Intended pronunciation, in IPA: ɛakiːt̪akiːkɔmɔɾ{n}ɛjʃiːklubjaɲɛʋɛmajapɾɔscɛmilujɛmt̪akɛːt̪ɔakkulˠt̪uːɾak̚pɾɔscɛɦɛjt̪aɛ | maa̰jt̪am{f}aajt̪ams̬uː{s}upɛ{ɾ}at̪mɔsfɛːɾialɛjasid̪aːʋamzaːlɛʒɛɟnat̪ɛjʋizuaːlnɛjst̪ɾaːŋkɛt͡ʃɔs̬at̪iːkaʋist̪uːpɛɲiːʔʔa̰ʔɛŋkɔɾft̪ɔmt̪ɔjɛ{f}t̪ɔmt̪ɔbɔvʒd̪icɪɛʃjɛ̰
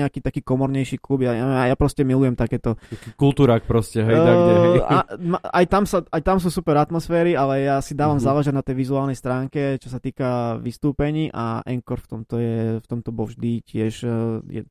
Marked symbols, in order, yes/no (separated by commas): no, no, yes, yes, yes